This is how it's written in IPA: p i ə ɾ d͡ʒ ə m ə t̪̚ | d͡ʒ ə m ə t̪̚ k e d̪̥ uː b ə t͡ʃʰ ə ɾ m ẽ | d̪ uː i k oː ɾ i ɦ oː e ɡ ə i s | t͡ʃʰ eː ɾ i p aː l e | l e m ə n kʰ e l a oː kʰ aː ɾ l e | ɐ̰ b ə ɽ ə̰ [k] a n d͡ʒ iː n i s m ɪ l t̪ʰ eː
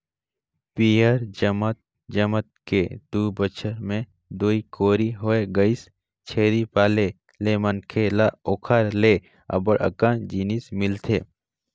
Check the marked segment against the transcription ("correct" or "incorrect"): correct